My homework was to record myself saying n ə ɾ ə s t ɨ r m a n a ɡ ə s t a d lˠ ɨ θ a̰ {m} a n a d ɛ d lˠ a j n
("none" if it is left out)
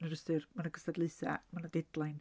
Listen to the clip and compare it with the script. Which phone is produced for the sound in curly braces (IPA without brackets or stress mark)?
m